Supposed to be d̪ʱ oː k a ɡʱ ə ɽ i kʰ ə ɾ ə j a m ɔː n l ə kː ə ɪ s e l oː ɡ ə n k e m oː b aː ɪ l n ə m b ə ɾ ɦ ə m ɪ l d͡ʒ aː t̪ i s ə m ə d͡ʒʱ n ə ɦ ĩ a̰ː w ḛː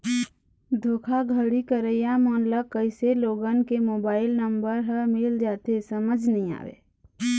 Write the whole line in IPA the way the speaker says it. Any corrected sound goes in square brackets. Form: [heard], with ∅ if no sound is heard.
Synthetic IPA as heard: d̪ʱ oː [kʰ] a ɡʱ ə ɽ i [k] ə ɾ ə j a m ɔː n l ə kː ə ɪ s e l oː ɡ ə n k e m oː b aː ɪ l n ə m b ə ɾ ɦ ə m ɪ l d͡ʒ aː t̪ [e] s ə m ə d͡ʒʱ n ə ɦ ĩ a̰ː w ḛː